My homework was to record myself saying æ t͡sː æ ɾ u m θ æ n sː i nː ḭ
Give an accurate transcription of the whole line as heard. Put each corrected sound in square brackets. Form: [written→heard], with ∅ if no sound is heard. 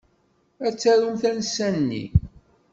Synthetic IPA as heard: æ t͡sː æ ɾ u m θ æ n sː [i→æ] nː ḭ